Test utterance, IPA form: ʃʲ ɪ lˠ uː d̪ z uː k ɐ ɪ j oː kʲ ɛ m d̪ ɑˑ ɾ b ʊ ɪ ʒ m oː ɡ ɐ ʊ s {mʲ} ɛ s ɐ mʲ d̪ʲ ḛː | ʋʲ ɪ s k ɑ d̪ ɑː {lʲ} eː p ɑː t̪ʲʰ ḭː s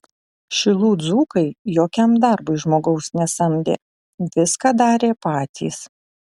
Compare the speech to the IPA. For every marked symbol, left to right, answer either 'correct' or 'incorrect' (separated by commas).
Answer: incorrect, incorrect